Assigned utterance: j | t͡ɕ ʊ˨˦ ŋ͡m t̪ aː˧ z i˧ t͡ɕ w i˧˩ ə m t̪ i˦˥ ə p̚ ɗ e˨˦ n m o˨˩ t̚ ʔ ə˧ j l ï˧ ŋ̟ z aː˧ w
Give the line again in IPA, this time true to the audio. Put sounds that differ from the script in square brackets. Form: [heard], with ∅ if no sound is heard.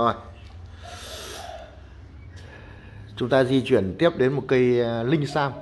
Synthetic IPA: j | t͡ɕ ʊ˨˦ ŋ͡m t̪ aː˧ z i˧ t͡ɕ w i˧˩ ə [n] t̪ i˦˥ ə p̚ ɗ e˨˦ n m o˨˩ t̚ [k] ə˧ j l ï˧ ŋ̟ [s] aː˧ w